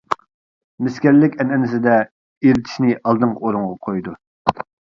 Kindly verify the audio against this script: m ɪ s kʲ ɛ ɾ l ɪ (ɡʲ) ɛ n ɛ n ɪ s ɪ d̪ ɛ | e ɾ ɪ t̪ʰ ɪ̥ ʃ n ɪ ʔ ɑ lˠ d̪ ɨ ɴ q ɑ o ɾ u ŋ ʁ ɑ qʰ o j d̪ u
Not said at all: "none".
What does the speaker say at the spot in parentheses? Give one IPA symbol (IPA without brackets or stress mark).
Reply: kʲ